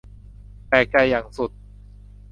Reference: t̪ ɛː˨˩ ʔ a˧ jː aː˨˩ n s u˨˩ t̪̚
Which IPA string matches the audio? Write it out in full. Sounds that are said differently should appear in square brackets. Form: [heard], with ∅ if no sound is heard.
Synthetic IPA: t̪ ɛː˨˩ [k] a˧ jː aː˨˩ [ŋ] s u˨˩ t̪̚